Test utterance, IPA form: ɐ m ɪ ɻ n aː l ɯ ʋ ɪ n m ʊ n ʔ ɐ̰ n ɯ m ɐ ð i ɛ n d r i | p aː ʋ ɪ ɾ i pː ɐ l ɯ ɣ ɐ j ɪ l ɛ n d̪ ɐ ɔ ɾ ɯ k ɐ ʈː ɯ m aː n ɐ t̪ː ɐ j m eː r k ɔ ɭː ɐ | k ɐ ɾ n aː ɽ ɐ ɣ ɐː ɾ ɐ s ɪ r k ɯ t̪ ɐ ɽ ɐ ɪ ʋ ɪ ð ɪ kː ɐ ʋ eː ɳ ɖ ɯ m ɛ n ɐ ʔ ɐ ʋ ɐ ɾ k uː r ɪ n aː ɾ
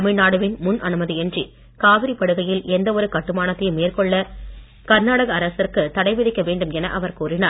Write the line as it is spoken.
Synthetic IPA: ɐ m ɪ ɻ n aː ɽ ɯ ʋ ɪ n m ʊ n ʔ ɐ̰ n ɯ m ɐ ð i ɛ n d r i | k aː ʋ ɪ ɾ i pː ɐ ɽ ɯ ɣ ɐ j ɪ l ɛ n d̪ ɐ ɔ ɾ ɯ k ɐ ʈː ɯ m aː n ɐ t̪ː ɐ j m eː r k ɔ ɭː ɐ | k ɐ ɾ n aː ɽ ɐ ɣ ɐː ɾ ɐ s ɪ r k ɯ t̪ ɐ ɽ ɐ ɪ ʋ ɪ ð ɪ kː ɐ ʋ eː ɳ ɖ ɯ m ɛ n ɐ ʔ ɐ ʋ ɐ ɾ k uː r ɪ n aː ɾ